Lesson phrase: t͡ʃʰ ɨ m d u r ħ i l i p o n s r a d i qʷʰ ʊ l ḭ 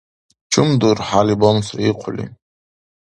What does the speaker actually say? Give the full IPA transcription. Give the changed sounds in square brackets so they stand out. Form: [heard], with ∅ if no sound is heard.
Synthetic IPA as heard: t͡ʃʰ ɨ m d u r ħ [a] l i [b] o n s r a [∅] i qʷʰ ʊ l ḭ